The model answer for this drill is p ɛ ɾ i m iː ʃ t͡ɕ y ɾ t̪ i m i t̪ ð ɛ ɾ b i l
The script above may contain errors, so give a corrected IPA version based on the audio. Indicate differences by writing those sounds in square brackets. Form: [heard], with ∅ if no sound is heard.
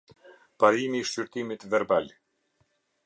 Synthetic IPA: p [a] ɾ i m iː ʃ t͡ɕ y ɾ t̪ i m i t̪ [v] ɛ ɾ b [a] l